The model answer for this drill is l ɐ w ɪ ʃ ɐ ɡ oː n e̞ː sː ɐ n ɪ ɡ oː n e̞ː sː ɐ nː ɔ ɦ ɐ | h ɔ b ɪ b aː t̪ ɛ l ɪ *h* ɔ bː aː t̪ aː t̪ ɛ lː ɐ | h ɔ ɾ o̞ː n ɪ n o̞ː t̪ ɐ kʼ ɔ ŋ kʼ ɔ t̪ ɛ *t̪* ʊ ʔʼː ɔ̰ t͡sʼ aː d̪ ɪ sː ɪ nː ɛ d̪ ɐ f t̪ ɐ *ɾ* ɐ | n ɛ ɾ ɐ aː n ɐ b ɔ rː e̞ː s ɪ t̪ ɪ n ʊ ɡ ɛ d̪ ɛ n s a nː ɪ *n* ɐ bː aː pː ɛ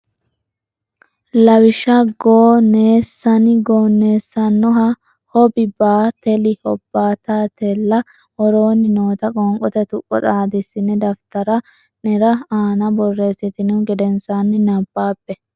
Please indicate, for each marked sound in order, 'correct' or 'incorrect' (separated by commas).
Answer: correct, correct, correct, correct